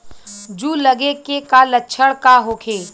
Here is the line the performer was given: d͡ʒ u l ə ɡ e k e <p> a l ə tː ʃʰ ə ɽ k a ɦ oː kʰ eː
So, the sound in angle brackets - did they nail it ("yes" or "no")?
no